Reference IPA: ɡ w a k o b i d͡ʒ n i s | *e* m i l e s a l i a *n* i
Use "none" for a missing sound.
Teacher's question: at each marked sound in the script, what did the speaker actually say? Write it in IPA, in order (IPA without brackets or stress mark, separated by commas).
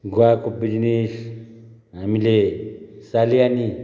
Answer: a, n